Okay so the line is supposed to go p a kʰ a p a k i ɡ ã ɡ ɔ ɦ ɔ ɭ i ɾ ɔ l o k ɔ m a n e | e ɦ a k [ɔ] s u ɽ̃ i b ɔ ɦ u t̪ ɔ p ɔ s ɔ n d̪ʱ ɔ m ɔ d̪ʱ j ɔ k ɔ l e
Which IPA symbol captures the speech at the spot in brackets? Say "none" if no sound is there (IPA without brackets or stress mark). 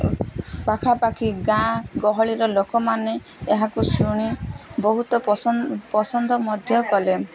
u